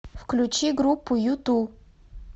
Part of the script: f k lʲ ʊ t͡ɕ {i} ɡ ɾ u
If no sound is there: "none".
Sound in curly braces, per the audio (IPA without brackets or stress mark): i